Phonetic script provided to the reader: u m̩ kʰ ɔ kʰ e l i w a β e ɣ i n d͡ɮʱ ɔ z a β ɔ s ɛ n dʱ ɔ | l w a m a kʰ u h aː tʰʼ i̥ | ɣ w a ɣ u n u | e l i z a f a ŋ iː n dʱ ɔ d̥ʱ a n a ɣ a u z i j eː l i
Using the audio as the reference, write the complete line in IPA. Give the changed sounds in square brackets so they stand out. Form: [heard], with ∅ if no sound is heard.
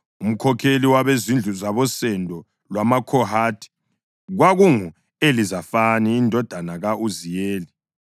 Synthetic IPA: u m̩ kʰ ɔ kʰ e l i w a β e [z] i n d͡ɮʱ [u] z a β ɔ s ɛ n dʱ ɔ | l w a m a kʰ [ɔ] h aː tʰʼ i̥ | ɣ w a ɣ u [ŋ] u | e l i z a f a [n] iː n dʱ ɔ d̥ʱ a n a ɣ a u z i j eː l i